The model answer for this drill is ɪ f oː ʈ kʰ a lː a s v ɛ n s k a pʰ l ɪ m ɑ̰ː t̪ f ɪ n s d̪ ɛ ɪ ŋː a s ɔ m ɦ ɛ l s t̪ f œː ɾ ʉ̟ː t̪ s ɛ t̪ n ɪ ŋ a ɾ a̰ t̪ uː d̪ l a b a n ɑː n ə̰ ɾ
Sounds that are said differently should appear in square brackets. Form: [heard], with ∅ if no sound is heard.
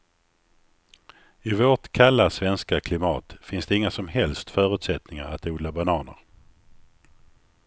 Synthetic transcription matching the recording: ɪ [v] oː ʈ kʰ a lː a s v ɛ n s k a [kʰ] l ɪ m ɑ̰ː t̪ f ɪ n s d̪ ɛ ɪ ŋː a s ɔ m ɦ ɛ l s t̪ f œː ɾ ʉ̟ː t̪ s ɛ t̪ n ɪ ŋ a ɾ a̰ t̪ uː d̪ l a b a n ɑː n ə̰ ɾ